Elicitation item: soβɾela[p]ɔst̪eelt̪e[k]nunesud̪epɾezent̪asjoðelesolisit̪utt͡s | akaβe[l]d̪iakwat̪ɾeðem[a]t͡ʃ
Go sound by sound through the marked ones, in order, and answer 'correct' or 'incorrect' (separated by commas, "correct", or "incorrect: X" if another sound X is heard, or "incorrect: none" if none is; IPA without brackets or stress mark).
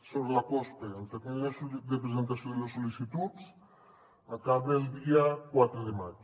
incorrect: k, correct, correct, correct